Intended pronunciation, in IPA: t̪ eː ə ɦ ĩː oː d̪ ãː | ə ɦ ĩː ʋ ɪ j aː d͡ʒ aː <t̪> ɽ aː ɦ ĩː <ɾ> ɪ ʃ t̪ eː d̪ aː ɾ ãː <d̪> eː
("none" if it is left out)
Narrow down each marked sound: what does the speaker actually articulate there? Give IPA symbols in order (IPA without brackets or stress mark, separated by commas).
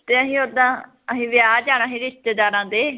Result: none, ɾ, d̪